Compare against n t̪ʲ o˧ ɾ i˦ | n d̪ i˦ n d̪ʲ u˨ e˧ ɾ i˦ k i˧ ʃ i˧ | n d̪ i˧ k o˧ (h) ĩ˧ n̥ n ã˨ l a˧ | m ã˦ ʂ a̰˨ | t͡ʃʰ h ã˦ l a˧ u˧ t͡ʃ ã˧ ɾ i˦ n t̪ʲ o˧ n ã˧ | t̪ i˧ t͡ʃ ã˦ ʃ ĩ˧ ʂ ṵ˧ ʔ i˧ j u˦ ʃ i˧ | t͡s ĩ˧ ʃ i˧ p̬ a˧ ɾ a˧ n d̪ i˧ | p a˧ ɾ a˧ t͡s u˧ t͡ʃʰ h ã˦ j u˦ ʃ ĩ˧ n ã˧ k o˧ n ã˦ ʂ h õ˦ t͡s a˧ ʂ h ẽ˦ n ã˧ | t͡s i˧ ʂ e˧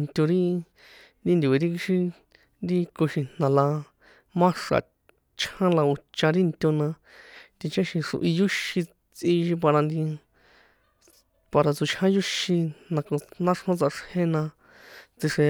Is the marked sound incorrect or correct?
incorrect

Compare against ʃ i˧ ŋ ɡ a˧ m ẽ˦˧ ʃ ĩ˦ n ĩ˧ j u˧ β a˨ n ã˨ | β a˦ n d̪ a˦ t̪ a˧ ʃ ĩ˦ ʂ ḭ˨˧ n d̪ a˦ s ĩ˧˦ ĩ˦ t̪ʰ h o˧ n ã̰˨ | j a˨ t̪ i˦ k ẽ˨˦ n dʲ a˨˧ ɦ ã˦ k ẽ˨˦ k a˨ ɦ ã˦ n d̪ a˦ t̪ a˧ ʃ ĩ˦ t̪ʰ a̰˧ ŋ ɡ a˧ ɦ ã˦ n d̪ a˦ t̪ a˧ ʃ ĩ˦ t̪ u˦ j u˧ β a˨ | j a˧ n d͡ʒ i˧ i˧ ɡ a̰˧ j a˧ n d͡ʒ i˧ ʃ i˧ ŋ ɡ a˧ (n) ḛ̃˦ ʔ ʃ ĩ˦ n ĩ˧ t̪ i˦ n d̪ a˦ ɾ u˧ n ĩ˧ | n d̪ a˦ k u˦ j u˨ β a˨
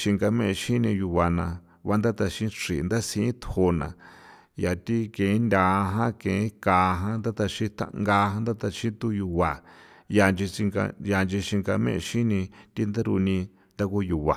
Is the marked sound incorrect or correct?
incorrect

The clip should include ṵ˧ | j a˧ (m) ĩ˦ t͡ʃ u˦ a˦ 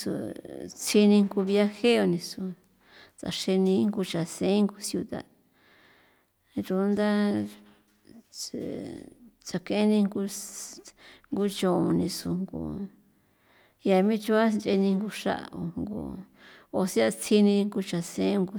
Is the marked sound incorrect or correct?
correct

